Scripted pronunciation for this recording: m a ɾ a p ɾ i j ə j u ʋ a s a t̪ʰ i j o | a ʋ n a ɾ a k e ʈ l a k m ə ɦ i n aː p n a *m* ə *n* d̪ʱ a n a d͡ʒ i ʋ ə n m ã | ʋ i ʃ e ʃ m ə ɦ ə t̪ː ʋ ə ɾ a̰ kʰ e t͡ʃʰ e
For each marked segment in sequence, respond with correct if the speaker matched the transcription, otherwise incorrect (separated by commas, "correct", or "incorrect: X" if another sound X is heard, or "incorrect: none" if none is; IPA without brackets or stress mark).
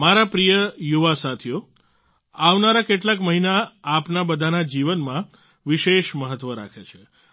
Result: incorrect: b, incorrect: none